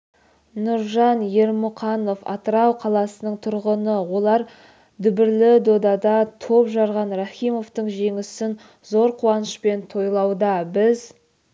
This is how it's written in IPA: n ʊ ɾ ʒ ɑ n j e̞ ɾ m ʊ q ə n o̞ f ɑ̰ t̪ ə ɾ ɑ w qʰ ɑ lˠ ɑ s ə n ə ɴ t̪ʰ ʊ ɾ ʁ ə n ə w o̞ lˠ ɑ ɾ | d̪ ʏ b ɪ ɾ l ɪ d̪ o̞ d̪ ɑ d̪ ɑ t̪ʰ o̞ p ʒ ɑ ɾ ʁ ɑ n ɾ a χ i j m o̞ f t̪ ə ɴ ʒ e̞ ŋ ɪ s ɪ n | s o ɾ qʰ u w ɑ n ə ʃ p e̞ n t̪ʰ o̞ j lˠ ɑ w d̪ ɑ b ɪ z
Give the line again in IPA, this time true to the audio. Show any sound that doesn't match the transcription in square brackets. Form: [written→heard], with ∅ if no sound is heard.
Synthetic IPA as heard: n ʊ ɾ ʒ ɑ n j e̞ ɾ m ʊ q [ə→ɑ] n o̞ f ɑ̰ t̪ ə ɾ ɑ w qʰ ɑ lˠ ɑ s ə n ə ɴ t̪ʰ ʊ ɾ ʁ ə n ə w o̞ lˠ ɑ ɾ | d̪ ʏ b ɪ ɾ l ɪ d̪ o̞ d̪ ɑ d̪ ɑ t̪ʰ o̞ p ʒ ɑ ɾ ʁ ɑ n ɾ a χ i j m o̞ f t̪ ə ɴ ʒ e̞ ŋ ɪ s ɪ n | [s→z] o ɾ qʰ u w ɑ n ə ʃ p e̞ n t̪ʰ o̞ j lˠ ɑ w d̪ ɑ b ɪ z